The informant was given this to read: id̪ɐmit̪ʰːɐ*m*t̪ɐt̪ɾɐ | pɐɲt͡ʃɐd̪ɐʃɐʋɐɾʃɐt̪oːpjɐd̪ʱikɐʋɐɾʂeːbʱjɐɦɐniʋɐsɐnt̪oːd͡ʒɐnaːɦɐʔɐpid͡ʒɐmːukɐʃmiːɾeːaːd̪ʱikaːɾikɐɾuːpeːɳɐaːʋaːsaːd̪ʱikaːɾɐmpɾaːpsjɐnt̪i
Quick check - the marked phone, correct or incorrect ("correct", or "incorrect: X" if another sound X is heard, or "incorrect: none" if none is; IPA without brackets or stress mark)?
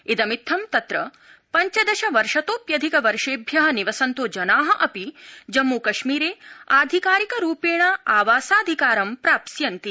correct